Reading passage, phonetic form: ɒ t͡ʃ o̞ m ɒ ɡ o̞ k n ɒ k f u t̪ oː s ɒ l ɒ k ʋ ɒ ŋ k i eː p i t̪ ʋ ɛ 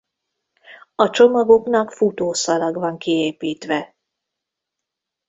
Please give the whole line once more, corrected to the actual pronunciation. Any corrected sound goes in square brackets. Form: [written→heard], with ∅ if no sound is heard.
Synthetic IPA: ɒ t͡ʃ o̞ m ɒ ɡ o̞ k n ɒ k f u t̪ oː s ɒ l ɒ [k→ɡ] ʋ ɒ ŋ k i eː p [i→iː] t̪ ʋ ɛ

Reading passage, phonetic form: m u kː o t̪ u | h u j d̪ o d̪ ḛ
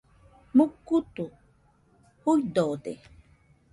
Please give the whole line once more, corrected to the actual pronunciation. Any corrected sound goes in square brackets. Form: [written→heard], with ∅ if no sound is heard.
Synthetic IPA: m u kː [o→u] t̪ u | h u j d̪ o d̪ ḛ

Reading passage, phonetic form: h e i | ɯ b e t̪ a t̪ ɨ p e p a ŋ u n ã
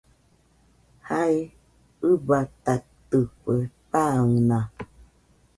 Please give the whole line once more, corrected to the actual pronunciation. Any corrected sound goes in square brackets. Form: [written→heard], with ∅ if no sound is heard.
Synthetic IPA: h [e→a] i | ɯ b [e→a] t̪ a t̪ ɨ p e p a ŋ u n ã

